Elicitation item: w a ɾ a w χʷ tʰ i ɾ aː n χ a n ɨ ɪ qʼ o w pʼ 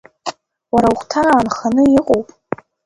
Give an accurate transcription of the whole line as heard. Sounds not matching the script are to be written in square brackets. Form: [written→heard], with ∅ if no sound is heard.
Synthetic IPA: w a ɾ a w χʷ tʰ [i→a] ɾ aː n χ a n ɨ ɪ qʼ o w pʼ